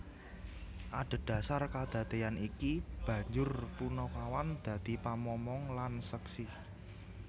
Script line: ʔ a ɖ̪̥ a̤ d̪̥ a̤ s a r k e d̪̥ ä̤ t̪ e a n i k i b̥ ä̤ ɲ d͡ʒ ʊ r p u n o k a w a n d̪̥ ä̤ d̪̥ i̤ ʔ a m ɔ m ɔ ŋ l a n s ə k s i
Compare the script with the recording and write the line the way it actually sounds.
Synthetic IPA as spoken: ʔ a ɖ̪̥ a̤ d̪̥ a̤ s a r k a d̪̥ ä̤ t̪ e a n i k i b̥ ä̤ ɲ d͡ʒ ʊ r p u n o k a w a n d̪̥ ä̤ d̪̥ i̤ p a m ɔ m ɔ ŋ l a n s ə k s i